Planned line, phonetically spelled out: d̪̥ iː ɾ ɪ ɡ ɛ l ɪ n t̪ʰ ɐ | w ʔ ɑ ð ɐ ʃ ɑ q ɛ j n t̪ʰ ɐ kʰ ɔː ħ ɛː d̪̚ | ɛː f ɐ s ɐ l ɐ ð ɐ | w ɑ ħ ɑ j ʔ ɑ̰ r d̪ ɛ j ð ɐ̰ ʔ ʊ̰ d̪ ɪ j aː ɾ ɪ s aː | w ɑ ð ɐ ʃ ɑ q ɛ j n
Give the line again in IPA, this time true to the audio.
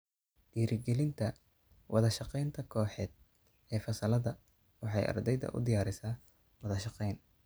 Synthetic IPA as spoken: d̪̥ iː ɾ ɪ ɡ ɛ l ɪ n t̪ʰ ɐ | w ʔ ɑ ð ɐ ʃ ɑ q ɛ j n t̪ʰ ɐ kʰ ɔː ħ ɛː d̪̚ | ɛː f ɐ s ɐ l ɐ ð ɐ | w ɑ ħ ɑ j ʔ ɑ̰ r d̪ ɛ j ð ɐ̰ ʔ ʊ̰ d̪ ɪ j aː ɾ ɪ s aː | w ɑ ð ɐ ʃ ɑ q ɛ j n